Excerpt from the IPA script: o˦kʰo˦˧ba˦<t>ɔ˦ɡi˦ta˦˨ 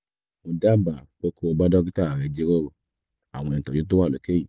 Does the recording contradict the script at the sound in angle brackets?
yes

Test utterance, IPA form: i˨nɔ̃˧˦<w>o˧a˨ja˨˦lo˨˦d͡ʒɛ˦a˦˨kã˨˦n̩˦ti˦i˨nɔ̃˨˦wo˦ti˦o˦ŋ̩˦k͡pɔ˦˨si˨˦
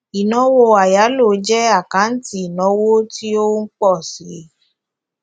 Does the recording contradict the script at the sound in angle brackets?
no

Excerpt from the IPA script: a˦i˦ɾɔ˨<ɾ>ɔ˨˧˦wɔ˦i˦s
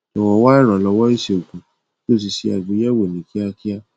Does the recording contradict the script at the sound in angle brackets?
yes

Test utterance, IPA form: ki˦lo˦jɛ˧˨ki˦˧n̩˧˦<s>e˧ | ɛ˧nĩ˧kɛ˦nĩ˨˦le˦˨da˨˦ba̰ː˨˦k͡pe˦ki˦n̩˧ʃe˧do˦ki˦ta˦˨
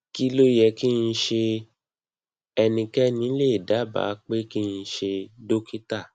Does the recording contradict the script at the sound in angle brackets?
yes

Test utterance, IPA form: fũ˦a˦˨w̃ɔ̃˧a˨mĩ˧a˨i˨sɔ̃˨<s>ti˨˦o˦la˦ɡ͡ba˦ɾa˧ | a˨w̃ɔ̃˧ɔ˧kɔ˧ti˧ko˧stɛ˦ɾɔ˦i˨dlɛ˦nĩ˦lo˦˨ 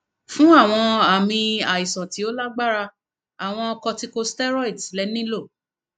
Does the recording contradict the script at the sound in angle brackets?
yes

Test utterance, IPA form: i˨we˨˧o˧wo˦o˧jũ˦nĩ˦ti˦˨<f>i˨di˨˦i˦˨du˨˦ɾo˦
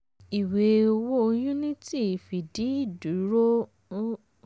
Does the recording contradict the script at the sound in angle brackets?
no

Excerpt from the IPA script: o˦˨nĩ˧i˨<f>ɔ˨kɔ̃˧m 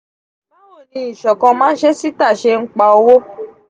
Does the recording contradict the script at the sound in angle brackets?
yes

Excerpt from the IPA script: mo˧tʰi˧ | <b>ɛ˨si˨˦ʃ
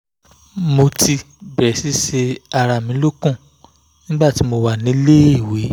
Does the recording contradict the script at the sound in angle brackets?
no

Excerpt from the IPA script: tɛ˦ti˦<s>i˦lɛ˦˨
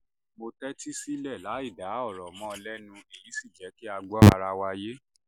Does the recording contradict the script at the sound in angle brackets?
no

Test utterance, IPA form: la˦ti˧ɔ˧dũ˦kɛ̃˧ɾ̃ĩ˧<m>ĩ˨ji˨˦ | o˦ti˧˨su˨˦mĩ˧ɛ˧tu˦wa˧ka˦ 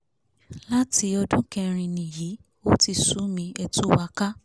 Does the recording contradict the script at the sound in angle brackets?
yes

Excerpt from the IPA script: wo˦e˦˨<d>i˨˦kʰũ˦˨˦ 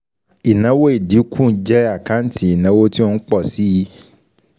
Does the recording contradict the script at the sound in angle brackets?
no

